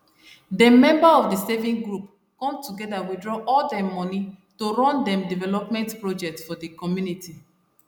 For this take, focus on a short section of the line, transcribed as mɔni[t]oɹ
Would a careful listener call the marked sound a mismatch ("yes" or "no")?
no